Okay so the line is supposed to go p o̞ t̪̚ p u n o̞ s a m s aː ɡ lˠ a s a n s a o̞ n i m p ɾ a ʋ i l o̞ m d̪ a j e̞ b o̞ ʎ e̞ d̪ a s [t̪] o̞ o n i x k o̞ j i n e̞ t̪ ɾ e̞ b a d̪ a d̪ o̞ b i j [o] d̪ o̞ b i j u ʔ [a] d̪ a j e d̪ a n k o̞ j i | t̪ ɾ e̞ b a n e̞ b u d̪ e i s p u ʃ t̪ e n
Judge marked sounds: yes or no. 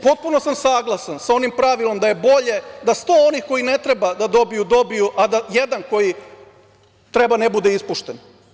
yes, no, yes

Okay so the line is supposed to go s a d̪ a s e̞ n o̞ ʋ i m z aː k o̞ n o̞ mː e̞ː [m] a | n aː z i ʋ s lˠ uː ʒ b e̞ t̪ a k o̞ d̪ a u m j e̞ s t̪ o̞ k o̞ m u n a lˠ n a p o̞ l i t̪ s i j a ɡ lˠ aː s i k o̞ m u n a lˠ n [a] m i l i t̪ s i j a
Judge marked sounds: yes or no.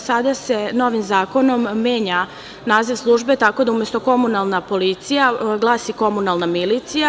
no, yes

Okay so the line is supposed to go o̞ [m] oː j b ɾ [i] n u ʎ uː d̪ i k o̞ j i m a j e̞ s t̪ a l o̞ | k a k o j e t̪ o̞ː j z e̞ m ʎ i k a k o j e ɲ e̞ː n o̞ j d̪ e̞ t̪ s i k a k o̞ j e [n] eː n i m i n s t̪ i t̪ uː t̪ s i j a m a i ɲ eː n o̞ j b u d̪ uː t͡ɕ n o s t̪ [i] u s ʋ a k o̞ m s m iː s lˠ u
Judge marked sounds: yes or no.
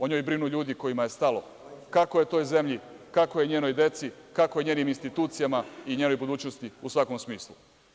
no, yes, no, yes

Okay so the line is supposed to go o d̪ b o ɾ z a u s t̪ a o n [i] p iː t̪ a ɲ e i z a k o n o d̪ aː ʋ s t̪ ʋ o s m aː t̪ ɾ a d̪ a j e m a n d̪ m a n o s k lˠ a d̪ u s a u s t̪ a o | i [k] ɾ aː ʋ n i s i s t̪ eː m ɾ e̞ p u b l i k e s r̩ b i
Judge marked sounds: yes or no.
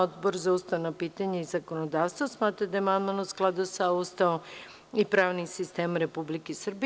no, no

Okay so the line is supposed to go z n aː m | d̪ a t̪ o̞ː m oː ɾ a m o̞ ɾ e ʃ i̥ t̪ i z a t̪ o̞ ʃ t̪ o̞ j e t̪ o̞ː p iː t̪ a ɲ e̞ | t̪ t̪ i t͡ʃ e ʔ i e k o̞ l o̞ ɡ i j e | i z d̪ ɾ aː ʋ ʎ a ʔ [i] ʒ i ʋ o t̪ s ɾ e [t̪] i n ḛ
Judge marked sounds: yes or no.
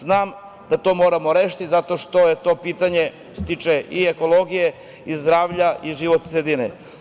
yes, no

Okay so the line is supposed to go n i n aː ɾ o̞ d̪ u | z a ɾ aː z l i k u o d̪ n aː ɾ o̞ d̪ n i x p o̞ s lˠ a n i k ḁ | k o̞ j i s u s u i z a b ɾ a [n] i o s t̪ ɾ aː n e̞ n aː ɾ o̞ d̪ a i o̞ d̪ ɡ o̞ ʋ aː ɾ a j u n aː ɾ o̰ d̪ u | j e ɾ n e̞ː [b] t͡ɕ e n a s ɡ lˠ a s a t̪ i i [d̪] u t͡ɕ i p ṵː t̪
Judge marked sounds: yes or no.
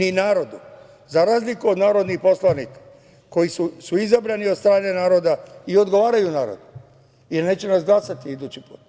yes, no, yes

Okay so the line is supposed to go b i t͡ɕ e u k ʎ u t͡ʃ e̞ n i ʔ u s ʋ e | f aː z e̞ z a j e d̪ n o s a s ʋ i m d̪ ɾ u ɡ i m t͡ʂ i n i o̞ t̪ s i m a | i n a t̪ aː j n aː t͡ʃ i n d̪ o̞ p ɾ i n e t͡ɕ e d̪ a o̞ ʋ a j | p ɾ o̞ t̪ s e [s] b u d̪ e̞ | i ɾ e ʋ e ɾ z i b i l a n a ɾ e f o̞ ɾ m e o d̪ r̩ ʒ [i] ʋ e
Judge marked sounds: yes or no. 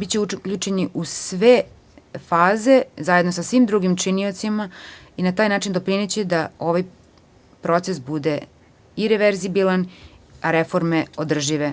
yes, yes

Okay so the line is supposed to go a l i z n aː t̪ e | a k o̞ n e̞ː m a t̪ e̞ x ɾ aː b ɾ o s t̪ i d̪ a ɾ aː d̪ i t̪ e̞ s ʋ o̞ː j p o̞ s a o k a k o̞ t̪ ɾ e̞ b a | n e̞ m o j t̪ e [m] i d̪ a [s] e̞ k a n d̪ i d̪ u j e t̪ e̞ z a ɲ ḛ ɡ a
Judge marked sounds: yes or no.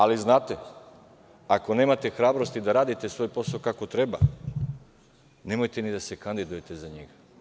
no, yes

